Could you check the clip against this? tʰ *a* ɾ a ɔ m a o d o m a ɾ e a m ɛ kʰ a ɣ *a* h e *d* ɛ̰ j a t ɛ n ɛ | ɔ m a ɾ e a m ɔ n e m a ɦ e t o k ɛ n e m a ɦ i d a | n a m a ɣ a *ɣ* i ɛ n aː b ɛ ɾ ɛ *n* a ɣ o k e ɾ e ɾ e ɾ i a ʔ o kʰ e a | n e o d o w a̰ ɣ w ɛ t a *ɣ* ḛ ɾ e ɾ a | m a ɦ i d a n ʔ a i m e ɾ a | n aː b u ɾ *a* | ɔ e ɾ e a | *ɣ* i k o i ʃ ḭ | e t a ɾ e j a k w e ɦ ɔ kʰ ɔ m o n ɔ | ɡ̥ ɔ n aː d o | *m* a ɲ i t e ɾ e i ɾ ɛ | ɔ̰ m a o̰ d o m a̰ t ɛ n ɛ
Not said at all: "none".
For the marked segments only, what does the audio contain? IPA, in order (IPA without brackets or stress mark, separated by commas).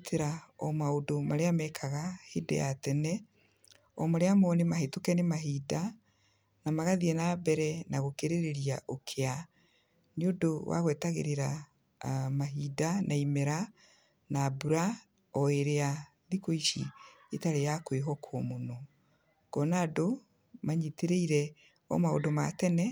e, a, d, ð, n, ɣ, a, ð, m